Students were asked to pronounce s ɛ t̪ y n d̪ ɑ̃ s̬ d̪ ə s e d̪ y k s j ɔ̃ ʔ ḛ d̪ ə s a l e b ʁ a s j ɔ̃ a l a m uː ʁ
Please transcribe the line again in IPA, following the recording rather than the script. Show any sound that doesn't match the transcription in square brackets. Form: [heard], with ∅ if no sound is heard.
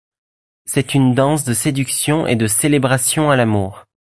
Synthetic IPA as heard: s ɛ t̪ y n d̪ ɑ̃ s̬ d̪ ə s e d̪ y k s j ɔ̃ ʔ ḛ d̪ ə s [e] l e b ʁ a s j ɔ̃ a l a m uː ʁ